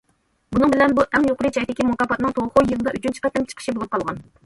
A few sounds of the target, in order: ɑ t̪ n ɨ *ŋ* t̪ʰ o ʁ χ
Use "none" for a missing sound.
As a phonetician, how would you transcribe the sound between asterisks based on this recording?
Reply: ŋ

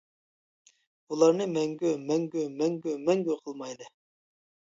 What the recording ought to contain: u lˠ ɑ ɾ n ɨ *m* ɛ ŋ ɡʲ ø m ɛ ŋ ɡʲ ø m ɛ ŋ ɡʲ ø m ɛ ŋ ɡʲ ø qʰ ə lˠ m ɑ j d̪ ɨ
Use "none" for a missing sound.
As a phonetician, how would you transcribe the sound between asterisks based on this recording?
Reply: m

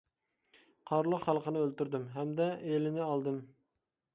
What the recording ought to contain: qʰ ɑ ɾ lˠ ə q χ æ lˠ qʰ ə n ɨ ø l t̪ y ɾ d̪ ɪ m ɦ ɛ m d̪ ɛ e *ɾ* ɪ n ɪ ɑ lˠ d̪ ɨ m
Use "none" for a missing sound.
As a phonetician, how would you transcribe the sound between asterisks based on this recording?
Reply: l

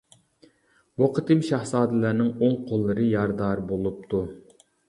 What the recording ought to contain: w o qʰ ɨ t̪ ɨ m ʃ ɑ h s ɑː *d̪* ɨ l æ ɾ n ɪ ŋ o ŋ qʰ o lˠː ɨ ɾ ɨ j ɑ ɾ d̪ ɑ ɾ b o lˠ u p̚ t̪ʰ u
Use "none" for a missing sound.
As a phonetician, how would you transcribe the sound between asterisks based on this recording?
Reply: d̪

